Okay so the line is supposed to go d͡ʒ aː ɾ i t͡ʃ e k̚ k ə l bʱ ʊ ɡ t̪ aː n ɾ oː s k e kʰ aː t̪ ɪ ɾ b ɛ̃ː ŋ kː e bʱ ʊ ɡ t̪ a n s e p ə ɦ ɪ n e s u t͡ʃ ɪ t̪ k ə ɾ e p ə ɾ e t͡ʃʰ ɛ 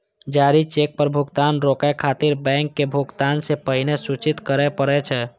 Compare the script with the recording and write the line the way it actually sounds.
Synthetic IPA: d͡ʒ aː ɾ i t͡ʃ e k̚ p ə ɾ bʱ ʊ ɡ t̪ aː n ɾ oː k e kʰ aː t̪ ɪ ɾ b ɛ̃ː ŋ kː e bʱ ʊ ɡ t̪ a n s e p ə ɦ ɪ n e s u t͡ʃ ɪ t̪ k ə ɾ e p ə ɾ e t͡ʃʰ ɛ

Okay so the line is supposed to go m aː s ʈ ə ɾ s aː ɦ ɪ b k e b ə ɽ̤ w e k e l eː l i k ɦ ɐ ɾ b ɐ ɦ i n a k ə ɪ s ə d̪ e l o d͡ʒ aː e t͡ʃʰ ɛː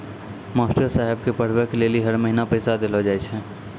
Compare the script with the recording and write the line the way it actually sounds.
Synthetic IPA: m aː s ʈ ə ɾ s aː ɦ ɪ b k e p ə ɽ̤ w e k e l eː l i ɦ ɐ ɾ m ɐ ɦ i n a p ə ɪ s a d̪ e l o d͡ʒ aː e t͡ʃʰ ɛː

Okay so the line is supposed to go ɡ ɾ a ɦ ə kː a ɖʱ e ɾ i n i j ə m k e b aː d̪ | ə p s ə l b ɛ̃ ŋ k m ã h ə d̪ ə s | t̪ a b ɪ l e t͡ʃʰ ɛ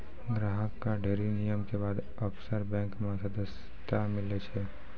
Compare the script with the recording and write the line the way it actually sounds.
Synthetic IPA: ɡ ɾ a ɦ ə kː a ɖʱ e ɾ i n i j ə m k e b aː d̪ | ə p s ə ɾ b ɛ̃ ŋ k m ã s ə d̪ ə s | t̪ a m ɪ l e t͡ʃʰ e

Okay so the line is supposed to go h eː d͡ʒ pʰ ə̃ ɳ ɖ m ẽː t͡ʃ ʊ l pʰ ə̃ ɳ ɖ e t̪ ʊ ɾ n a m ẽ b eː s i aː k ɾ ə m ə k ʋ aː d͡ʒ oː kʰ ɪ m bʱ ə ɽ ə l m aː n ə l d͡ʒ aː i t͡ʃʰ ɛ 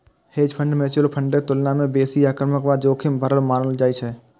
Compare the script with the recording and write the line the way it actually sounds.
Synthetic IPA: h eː d͡ʒ pʰ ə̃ ɳ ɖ m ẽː t͡ʃ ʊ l pʰ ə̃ ɳ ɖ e t̪ ʊ l n a m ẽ b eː s i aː k ɾ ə m ə k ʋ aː d͡ʒ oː kʰ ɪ m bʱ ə ɾ ə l m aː n ə l d͡ʒ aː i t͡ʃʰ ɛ

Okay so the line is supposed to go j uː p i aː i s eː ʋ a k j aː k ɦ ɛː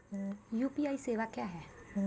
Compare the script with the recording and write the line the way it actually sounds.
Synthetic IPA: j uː p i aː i s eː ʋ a k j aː ɦ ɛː

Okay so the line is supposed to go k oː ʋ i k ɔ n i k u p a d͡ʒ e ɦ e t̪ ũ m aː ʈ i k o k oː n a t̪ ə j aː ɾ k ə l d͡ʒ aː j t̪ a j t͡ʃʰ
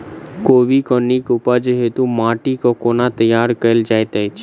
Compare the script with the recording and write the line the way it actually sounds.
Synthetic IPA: k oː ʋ i k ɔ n i k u p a d͡ʒ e ɦ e t̪ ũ m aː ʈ i k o k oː n a t̪ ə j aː ɾ k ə l d͡ʒ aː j t̪ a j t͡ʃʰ

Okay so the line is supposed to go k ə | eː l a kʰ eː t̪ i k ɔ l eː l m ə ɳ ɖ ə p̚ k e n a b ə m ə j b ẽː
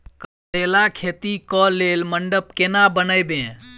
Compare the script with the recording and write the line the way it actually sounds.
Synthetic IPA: k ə | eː l a kʰ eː t̪ i k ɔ l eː l m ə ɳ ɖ ə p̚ k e n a b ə n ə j b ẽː

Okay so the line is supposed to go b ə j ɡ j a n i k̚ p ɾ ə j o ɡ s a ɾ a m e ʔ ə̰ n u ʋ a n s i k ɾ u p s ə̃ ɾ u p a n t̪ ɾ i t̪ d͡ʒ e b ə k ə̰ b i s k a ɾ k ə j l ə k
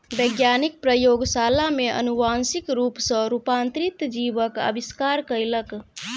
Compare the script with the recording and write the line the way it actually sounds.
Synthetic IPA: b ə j ɡ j a n i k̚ p ɾ ə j o ɡ s a l a m e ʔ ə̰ n u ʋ a n s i k ɾ u p s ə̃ ɾ u p a n t̪ ɾ i t̪ d͡ʒ i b ə k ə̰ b i s k a ɾ k ə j l ə k

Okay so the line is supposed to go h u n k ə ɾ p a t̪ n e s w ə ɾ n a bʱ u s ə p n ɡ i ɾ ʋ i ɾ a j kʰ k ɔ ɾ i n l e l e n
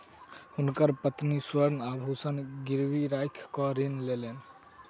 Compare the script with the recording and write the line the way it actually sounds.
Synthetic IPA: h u n k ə ɾ p ə t̪ n i s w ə ɾ n a bʱ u s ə n ɡ i ɾ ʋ i ɾ a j kʰ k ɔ ɾ i n l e l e n

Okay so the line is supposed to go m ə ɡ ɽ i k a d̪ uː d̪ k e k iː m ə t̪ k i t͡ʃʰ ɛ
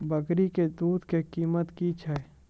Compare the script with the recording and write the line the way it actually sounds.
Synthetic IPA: b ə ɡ ɾ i k e d̪ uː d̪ k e k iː m ə t̪ k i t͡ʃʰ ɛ

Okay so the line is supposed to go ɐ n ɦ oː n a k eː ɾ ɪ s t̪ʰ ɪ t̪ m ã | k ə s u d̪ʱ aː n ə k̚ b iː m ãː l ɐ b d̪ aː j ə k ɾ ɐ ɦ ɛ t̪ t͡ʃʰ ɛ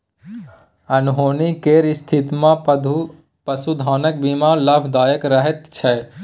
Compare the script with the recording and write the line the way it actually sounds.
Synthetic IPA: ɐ n ɦ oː n i k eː ɾ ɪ s t̪ʰ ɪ t̪ m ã | p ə s u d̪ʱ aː n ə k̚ b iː m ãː l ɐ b d̪ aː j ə k ɾ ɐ ɦ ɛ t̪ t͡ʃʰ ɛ

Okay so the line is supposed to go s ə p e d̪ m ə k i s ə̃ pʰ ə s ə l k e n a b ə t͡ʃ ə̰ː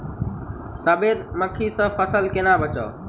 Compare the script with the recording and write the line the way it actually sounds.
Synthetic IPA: s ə b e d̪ m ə kʰ i s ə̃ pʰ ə s ə l k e n a b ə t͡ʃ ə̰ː

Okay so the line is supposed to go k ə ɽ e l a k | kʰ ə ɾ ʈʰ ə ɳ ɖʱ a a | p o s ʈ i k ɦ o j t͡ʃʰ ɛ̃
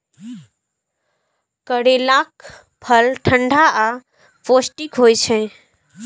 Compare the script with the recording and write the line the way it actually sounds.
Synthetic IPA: k ə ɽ e l a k | pʰ ə l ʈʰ ə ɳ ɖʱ a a | p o s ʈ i k ɦ o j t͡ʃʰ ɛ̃

